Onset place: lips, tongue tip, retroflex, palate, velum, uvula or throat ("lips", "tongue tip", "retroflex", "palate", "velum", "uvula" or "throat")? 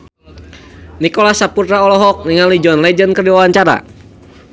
tongue tip